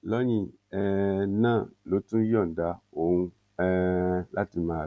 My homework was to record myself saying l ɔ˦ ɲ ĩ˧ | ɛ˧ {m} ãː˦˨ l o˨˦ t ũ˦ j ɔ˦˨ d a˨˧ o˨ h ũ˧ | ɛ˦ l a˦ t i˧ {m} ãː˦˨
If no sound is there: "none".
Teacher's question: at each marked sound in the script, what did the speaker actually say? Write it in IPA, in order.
n, m

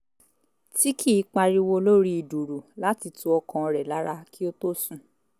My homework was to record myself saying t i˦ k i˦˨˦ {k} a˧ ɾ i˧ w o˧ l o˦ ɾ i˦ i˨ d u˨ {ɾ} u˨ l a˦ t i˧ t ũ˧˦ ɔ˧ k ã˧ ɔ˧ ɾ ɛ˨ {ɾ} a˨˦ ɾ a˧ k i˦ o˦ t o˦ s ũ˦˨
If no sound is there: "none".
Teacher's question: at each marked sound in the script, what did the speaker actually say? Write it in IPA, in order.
k͡p, ɾ, l

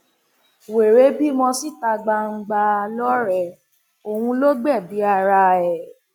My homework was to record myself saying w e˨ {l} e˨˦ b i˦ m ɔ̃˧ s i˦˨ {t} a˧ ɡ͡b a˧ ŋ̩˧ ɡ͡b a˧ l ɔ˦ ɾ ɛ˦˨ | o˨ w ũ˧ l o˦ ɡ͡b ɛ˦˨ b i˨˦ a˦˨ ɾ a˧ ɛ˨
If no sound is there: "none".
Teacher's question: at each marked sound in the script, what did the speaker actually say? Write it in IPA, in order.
ɾ, t

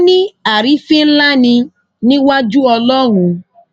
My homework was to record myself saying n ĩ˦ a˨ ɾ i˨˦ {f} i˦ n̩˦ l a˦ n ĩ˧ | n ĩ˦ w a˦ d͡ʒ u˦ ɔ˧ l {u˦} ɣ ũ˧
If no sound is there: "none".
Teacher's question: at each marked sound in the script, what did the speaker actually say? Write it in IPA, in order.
f, ɔ˦

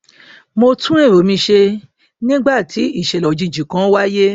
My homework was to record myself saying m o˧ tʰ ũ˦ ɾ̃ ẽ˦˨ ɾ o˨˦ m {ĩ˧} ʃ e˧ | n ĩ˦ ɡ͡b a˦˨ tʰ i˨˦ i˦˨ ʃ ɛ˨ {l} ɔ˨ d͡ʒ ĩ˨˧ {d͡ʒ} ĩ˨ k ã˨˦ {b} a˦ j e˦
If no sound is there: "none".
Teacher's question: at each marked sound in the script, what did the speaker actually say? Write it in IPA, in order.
ĩ˧, l, d͡ʒ, w

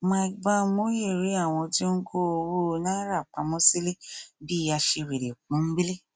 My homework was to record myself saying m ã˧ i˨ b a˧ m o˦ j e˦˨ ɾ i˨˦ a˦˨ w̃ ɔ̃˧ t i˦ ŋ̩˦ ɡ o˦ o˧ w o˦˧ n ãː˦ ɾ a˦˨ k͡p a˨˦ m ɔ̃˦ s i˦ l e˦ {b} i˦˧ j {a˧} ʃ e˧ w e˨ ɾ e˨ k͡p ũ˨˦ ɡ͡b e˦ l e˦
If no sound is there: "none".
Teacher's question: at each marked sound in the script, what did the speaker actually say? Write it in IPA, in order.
b, a˧

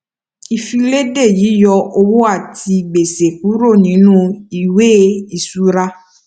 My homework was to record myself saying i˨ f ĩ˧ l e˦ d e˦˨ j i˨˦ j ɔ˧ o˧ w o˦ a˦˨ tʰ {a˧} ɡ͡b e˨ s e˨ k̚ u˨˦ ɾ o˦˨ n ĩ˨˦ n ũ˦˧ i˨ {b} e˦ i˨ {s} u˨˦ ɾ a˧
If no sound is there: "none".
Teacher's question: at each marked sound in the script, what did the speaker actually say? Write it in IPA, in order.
i˧, w, s

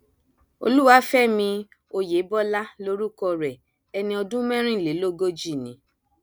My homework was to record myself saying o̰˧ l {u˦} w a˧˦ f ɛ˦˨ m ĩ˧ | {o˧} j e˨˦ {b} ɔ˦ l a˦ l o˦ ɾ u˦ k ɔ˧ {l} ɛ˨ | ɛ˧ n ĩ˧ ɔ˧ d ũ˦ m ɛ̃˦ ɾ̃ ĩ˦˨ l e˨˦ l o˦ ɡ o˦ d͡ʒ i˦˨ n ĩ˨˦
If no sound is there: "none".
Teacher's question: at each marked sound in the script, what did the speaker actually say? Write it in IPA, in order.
u˦, o˧, b, ɾ

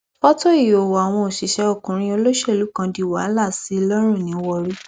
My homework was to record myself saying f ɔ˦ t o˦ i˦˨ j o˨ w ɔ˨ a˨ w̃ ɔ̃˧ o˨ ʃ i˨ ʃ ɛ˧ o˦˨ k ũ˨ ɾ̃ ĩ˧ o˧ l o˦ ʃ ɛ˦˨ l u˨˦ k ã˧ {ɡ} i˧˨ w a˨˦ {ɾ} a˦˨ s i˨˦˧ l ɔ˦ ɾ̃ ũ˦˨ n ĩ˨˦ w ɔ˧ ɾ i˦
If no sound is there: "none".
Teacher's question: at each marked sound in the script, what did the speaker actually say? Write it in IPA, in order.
d, l

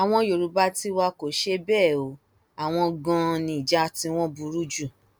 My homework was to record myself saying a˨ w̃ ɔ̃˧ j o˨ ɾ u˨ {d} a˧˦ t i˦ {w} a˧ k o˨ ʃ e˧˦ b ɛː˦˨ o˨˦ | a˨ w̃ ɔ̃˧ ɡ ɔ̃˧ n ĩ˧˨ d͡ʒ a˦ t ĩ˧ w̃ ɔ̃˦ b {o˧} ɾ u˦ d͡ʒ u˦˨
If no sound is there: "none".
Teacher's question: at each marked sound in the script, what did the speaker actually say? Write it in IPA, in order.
b, w, u˧

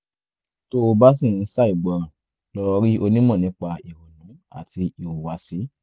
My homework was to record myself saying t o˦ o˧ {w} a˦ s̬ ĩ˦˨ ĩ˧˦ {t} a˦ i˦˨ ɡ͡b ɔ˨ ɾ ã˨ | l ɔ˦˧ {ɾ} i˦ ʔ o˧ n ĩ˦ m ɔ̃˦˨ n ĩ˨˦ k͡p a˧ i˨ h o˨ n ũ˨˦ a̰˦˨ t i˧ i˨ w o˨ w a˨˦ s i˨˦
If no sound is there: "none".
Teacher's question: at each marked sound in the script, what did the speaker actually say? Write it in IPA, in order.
b, s, ɾ

